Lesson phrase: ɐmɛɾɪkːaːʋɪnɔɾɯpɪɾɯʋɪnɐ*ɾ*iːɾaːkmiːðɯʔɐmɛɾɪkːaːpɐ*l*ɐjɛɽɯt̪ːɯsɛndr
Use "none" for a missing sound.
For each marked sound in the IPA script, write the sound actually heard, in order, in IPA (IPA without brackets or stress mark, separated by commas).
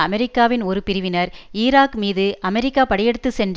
ɾ, ɽ